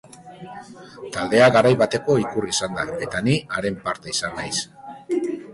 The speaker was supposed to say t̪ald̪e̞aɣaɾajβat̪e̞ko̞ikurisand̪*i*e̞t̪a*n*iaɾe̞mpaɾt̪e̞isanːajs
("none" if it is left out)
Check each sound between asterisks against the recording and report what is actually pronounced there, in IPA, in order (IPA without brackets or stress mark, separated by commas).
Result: a, n